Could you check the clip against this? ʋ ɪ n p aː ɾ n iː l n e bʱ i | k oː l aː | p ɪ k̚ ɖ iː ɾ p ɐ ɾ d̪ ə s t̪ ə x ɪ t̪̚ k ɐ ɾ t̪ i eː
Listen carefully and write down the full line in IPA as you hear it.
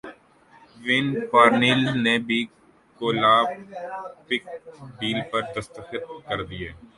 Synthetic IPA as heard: ʋ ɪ n p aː ɾ n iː l n e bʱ i | k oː l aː | p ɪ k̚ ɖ iː l p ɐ ɾ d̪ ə s t̪ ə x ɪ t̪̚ k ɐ ɾ d̪ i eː